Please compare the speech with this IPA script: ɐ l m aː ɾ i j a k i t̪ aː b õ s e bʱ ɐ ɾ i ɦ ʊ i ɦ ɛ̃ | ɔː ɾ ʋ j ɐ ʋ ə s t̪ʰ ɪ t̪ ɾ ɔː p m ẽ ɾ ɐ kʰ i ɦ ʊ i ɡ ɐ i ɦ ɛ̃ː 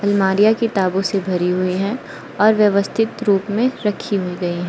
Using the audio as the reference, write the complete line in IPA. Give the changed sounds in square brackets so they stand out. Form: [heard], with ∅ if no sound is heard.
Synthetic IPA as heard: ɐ l m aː ɾ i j a k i t̪ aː b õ s e bʱ ɐ ɾ i ɦ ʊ i ɦ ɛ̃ | ɔː ɾ ʋ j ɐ ʋ ə s t̪ʰ ɪ t̪ ɾ [uː] p m ẽ ɾ ɐ kʰ i ɦ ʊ i ɡ ɐ i ɦ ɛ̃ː